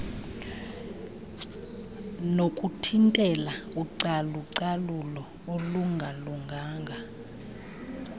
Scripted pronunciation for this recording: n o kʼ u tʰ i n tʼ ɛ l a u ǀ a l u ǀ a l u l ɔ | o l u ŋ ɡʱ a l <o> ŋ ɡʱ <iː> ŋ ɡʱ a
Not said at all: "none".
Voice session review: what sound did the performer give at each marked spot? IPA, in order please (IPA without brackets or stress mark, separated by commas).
u, aː